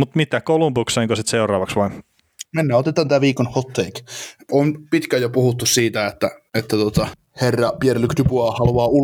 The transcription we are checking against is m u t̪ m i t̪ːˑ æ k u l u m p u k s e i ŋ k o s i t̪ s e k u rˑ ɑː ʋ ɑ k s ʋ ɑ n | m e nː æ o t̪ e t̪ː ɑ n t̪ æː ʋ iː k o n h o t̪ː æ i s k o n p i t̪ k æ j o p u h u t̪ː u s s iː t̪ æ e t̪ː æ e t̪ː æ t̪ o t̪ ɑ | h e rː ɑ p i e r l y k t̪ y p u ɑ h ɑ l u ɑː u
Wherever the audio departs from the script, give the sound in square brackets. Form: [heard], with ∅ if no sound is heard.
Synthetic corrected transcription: m u t̪ m i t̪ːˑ æ k [o] l u m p u k s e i ŋ k o s i t̪ s e [∅] u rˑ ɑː ʋ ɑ k s ʋ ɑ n | m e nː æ o t̪ e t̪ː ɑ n t̪ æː ʋ iː k o n h o t̪ː [e] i [∅] k o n p i t̪ k æ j o p u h u t̪ː u s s iː t̪ æ e t̪ː æ e t̪ː æ t̪ o t̪ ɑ | h e rː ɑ p i e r l y k t̪ y p u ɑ h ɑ l u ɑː u